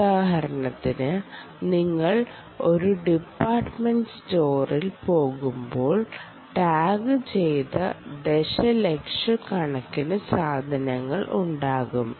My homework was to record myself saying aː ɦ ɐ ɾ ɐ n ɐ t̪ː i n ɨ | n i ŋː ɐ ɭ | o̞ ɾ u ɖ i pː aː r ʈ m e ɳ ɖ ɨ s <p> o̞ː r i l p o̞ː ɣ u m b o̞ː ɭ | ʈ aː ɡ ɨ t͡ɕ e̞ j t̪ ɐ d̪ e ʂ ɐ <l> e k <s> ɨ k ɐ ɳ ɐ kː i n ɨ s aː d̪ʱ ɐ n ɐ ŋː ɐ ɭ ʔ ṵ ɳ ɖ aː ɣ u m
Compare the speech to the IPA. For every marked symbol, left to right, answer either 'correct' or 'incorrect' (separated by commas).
incorrect, correct, incorrect